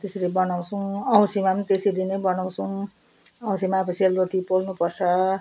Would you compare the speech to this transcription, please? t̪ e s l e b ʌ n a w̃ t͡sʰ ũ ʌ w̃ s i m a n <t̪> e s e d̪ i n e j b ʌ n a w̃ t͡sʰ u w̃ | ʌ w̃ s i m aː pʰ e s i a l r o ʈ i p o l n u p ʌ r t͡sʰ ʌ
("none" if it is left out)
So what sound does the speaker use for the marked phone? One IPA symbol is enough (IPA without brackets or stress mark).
t̪